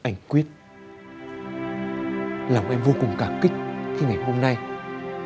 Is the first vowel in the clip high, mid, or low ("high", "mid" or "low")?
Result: low